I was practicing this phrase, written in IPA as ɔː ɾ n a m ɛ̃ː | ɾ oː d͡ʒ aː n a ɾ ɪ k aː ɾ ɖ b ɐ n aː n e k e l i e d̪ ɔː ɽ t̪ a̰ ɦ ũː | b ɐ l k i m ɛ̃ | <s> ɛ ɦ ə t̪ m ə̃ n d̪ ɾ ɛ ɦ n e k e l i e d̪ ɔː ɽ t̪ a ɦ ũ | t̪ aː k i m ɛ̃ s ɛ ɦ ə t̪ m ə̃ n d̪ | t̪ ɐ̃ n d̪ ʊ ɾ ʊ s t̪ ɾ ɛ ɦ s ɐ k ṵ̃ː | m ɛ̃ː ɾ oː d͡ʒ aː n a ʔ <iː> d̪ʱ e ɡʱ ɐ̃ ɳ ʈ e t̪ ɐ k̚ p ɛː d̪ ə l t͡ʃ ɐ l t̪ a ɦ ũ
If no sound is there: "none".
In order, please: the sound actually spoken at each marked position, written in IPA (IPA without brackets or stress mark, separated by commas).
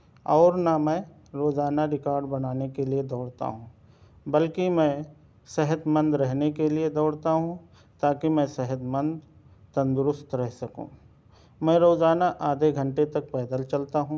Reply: s, aː